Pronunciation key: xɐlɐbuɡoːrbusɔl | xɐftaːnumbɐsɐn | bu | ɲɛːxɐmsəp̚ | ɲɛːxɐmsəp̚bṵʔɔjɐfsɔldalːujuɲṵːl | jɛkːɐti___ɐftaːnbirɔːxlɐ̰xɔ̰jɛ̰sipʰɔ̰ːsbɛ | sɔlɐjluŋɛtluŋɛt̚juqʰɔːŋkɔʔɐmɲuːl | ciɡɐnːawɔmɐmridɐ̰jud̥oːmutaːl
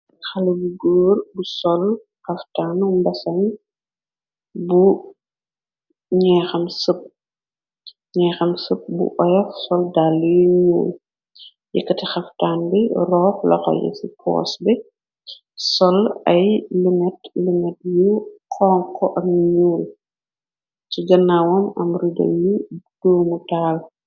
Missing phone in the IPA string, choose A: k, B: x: B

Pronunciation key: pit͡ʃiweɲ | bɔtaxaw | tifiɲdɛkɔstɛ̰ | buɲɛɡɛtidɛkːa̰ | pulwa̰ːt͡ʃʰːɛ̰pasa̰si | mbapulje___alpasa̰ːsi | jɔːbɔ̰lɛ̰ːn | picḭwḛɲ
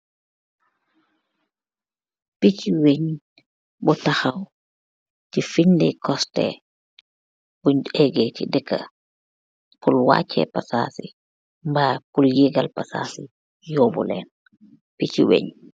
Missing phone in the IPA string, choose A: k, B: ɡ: B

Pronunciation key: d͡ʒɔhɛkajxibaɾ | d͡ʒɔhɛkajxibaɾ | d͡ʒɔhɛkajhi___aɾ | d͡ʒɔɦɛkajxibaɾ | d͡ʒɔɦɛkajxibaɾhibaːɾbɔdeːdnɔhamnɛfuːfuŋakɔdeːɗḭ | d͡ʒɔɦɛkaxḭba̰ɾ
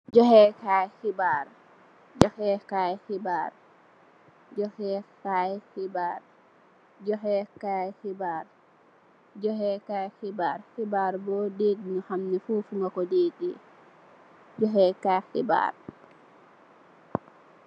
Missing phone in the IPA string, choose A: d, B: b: B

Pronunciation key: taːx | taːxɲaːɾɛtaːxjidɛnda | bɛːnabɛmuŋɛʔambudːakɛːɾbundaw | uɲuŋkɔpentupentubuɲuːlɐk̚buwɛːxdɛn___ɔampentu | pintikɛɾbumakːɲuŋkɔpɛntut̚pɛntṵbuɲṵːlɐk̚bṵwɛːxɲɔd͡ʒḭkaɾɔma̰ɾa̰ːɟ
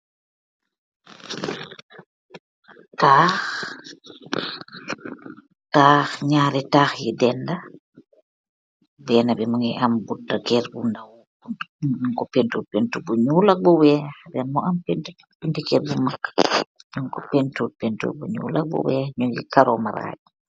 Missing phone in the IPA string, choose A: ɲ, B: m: B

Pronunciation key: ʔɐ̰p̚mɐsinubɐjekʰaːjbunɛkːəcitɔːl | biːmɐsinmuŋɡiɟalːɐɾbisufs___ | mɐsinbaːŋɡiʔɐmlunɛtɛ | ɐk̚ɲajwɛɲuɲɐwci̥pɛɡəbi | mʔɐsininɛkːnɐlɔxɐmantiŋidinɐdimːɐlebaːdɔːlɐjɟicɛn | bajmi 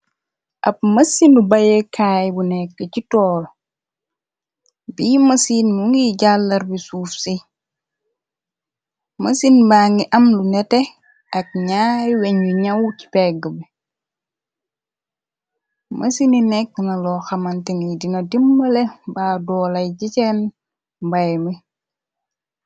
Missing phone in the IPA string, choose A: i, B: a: A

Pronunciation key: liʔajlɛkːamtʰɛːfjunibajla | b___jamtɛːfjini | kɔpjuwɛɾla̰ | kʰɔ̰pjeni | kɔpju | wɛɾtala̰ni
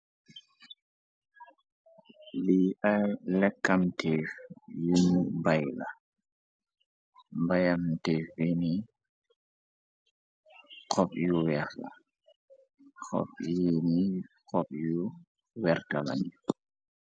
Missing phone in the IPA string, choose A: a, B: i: A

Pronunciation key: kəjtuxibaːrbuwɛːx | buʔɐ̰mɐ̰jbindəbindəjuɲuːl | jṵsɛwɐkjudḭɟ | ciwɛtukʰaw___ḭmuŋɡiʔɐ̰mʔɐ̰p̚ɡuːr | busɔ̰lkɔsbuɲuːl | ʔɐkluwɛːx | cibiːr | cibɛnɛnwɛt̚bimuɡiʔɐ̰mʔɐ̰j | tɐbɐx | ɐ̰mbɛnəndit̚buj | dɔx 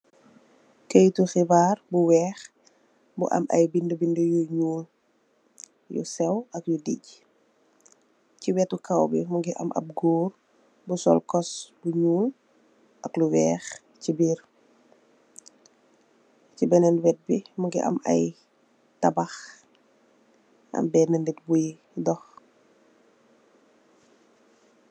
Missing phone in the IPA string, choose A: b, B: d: A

